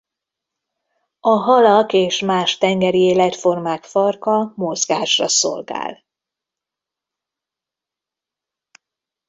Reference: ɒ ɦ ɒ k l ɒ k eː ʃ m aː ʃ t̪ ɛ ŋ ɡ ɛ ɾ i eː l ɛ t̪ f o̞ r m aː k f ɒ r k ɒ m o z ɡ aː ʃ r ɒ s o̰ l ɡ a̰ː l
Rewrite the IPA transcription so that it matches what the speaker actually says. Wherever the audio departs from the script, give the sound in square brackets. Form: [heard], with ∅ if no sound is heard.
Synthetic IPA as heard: ɒ ɦ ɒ [∅] l ɒ k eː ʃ m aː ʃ t̪ ɛ ŋ ɡ ɛ ɾ i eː l ɛ t̪ f o̞ r m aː k f ɒ r k ɒ m o z ɡ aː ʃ r ɒ s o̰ l ɡ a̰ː l

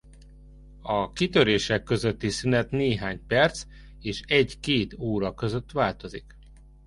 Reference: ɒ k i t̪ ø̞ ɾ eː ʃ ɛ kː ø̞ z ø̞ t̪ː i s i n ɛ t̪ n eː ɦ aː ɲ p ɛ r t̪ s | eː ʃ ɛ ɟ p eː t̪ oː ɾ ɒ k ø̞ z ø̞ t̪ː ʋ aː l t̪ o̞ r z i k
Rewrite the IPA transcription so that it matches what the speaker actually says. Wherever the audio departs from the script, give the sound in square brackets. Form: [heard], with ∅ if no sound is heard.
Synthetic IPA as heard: ɒ k i t̪ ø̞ ɾ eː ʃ ɛ kː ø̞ z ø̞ t̪ː i s [y] n ɛ t̪ n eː ɦ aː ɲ p ɛ r t̪ s | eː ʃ ɛ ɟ [k] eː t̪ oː ɾ ɒ k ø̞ z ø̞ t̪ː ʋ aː l t̪ o̞ [∅] z i k

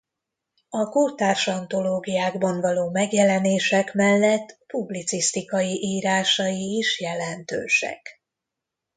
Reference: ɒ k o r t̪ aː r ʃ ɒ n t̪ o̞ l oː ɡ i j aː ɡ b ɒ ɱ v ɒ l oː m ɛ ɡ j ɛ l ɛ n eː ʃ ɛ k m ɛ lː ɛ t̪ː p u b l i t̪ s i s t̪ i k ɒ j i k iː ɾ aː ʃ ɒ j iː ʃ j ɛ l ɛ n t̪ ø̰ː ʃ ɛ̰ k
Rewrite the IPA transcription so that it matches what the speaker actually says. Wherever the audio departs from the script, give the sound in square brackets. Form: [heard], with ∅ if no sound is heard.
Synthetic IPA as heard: ɒ k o r t̪ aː r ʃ ɒ n t̪ o̞ l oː ɡ i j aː ɡ b ɒ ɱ v ɒ l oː m ɛ ɡ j ɛ l ɛ n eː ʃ ɛ k m ɛ lː ɛ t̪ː p u b l i t̪ s i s t̪ i k ɒ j i [ʔ] iː ɾ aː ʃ ɒ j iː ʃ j ɛ l ɛ n t̪ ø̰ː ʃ ɛ̰ k

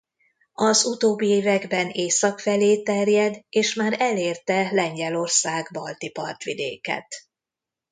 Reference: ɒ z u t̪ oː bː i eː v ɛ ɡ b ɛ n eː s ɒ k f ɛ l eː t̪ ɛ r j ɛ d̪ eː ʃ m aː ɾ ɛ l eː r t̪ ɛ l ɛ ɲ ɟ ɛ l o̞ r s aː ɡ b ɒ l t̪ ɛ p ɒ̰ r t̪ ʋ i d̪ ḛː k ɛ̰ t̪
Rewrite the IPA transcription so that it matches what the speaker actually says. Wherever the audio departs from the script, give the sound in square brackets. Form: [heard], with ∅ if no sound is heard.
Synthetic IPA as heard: ɒ z u t̪ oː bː i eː v ɛ ɡ b ɛ n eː s ɒ k f ɛ l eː t̪ ɛ r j ɛ d̪ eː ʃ m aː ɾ ɛ l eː r t̪ ɛ l ɛ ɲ ɟ ɛ l o̞ r s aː ɡ b ɒ l t̪ [i] p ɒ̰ r t̪ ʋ i d̪ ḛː k ɛ̰ t̪

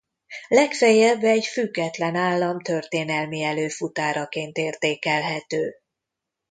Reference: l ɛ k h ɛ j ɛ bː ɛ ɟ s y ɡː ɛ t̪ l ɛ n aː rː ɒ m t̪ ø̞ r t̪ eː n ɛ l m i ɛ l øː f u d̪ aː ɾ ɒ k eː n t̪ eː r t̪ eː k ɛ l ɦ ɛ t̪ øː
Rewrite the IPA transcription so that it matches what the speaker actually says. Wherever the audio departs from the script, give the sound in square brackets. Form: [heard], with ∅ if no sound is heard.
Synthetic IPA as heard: l ɛ k [f] ɛ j ɛ bː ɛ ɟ [f] y ɡː ɛ t̪ l ɛ n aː [lː] ɒ m t̪ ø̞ r t̪ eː n ɛ l m i ɛ l øː f u [t̪] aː ɾ ɒ k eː n t̪ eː r t̪ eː k ɛ l ɦ ɛ t̪ øː

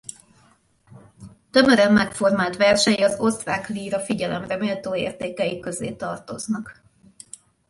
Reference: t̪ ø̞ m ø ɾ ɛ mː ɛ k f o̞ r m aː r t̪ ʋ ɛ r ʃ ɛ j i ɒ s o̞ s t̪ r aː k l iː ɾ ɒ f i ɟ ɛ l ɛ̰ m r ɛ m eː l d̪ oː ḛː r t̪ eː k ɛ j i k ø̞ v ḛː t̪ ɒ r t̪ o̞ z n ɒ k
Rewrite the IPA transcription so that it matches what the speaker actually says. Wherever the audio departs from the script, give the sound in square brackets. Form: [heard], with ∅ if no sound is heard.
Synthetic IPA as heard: t̪ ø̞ m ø ɾ ɛ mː ɛ k f o̞ r m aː [l] t̪ ʋ ɛ r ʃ ɛ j i ɒ [z] o̞ s t̪ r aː k l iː ɾ ɒ f i ɟ ɛ l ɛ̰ m r ɛ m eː l [t̪] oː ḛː r t̪ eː k ɛ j i k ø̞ [z] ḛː t̪ ɒ r t̪ o̞ z n ɒ k

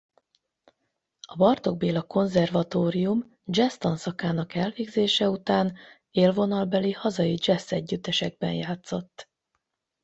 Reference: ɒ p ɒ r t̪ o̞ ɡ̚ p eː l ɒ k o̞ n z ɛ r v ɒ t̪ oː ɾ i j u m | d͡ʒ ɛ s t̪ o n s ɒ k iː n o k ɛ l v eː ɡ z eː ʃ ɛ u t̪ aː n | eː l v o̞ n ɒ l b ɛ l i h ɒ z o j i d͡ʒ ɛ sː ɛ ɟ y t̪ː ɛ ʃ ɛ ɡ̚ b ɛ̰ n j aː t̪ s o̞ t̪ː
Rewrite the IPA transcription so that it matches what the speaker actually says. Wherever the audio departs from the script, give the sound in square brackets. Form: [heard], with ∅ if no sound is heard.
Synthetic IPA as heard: ɒ [b] ɒ r t̪ o̞ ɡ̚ [b] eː l ɒ k o̞ n z ɛ r v ɒ t̪ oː ɾ i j u m | d͡ʒ ɛ s t̪ o n s ɒ k [aː] n [ɒ] k ɛ l v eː ɡ z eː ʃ ɛ u t̪ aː n | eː l v o̞ n ɒ l b ɛ l i h ɒ z [ɒ] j i d͡ʒ ɛ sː ɛ [ɟː] y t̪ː ɛ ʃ ɛ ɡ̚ b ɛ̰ n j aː t̪ s o̞ t̪ː

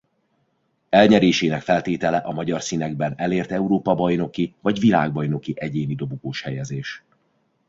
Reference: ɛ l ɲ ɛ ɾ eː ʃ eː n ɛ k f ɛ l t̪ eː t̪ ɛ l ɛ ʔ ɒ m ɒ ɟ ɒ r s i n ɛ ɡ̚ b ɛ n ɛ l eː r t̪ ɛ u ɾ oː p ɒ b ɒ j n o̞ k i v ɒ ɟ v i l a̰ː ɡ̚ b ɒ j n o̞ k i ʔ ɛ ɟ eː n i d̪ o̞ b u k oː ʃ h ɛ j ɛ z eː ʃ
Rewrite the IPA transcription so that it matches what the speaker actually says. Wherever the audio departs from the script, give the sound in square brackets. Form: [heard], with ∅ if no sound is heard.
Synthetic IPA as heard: ɛ l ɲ ɛ ɾ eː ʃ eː n ɛ k f ɛ l t̪ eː t̪ ɛ l ɛ ʔ ɒ m ɒ ɟ ɒ r s i n ɛ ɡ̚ b ɛ n ɛ l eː r t̪ ɛ u ɾ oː p ɒ b ɒ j n o̞ k i v ɒ ɟ v i l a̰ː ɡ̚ b ɒ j n o̞ k i ʔ ɛ ɟ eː n i d̪ o̞ b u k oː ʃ h ɛ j ɛ z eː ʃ

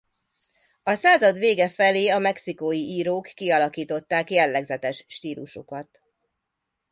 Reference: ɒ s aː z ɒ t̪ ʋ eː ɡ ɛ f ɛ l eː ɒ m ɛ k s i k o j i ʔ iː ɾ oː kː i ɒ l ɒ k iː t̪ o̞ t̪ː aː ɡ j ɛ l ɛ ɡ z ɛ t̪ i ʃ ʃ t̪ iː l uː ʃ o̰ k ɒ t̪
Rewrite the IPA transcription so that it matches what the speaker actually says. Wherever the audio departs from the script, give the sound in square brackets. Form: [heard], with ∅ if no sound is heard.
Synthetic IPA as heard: ɒ s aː z ɒ [d̪] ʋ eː ɡ ɛ f ɛ l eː ɒ m ɛ k s i k o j i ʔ iː ɾ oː kː i ɒ l ɒ k iː t̪ o̞ t̪ː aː [k] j ɛ [lː] ɛ ɡ z ɛ t̪ [ɛ] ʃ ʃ t̪ iː l [u] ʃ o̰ k ɒ t̪

